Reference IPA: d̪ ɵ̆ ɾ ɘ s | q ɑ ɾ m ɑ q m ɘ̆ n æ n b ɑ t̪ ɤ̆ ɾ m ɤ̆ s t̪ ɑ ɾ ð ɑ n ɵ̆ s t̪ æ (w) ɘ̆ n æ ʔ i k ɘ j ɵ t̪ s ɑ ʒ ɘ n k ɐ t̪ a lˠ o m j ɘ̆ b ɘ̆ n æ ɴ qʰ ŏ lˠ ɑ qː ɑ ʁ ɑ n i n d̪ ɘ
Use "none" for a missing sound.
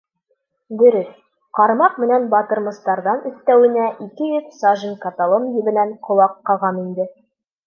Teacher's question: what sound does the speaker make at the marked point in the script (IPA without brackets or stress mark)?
w